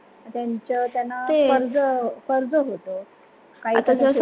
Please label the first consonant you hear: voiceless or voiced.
voiceless